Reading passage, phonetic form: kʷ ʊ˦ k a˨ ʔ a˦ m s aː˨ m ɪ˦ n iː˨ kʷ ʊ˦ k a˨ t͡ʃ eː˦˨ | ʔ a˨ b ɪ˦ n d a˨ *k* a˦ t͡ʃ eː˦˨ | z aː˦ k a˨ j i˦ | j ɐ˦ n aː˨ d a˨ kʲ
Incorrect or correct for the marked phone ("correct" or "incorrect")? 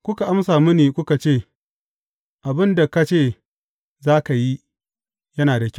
correct